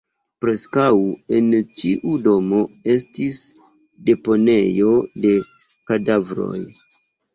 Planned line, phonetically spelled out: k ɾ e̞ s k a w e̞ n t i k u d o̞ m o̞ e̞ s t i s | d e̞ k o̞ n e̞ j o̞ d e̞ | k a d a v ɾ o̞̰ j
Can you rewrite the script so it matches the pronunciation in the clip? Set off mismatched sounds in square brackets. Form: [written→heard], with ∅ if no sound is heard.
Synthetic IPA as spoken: [k→p] ɾ e̞ s k a w e̞ n [t→t͡ʃ] i [k→ʔ] u d o̞ m o̞ e̞ s t i s | d e̞ [k→p] o̞ n e̞ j o̞ d e̞ | k a d a v ɾ o̞̰ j